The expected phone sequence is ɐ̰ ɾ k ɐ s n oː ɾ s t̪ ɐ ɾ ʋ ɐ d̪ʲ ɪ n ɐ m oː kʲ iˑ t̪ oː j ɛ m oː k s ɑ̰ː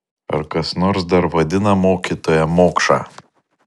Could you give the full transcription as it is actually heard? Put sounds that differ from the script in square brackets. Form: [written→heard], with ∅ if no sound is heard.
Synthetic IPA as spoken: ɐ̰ ɾ k ɐ s n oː ɾ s [t̪→d̪] ɐ ɾ ʋ ɐ d̪ʲ ɪ n ɐ m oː kʲ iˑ t̪ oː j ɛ m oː k [s→ʃ] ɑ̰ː

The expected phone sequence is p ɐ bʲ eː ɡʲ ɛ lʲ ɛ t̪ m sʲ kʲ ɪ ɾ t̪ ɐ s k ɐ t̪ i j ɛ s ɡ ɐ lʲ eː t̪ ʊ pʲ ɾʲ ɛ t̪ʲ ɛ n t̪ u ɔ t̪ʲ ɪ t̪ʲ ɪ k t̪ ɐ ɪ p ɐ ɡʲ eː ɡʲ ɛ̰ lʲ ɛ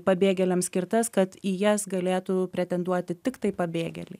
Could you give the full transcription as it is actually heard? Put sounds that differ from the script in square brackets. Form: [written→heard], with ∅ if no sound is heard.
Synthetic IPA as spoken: p ɐ bʲ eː ɡʲ ɛ lʲ ɛ [t̪→∅] m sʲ kʲ ɪ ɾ t̪ ɐ s k ɐ t̪ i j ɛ s ɡ ɐ lʲ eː t̪ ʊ pʲ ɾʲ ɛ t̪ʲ ɛ n [t̪→d̪] u ɔ t̪ʲ ɪ t̪ʲ ɪ k t̪ ɐ ɪ p ɐ [ɡʲ→bʲ] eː ɡʲ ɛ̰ lʲ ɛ

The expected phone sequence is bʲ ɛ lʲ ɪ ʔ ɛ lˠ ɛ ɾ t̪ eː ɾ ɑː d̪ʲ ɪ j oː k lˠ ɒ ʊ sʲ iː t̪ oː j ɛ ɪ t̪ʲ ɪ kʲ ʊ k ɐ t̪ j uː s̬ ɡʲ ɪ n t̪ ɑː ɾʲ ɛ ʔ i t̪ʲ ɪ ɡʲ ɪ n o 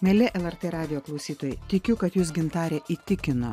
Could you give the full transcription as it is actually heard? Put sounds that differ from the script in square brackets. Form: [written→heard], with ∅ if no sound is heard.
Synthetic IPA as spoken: [bʲ→mʲ] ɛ lʲ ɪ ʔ ɛ lˠ ɛ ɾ t̪ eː ɾ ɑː d̪ʲ ɪ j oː k lˠ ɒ ʊ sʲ iː t̪ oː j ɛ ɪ t̪ʲ ɪ kʲ ʊ k ɐ t̪ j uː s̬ ɡʲ ɪ n t̪ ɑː ɾʲ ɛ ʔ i t̪ʲ ɪ [ɡʲ→kʲ] ɪ n o

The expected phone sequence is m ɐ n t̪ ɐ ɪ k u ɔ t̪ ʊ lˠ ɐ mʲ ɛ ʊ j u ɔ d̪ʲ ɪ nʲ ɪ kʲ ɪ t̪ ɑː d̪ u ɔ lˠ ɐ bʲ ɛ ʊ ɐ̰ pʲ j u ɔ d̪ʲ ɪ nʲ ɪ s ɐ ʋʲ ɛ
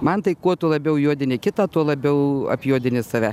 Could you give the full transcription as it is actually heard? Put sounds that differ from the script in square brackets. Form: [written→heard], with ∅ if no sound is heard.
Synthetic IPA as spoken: m ɐ n t̪ ɐ ɪ k u ɔ t̪ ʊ lˠ ɐ [mʲ→bʲ] ɛ ʊ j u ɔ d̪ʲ ɪ nʲ ɪ kʲ ɪ t̪ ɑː [d̪→t̪] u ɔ lˠ ɐ bʲ ɛ ʊ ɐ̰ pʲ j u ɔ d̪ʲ ɪ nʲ ɪ s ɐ ʋʲ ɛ

